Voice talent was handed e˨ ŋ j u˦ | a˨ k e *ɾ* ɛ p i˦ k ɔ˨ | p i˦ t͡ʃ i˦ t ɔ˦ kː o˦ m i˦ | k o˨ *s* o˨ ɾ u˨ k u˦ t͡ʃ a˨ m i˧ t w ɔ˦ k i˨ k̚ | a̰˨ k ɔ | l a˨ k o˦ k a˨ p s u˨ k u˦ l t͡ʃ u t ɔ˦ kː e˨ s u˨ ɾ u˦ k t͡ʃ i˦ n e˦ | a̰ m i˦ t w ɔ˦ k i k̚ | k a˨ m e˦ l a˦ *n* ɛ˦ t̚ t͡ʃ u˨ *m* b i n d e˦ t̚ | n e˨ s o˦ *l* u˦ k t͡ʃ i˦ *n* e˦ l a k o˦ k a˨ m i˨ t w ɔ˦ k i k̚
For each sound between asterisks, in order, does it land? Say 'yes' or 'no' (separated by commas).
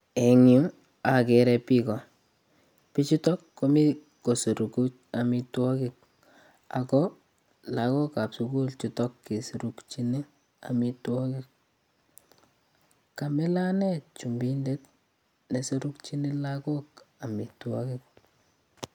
yes, yes, yes, yes, no, yes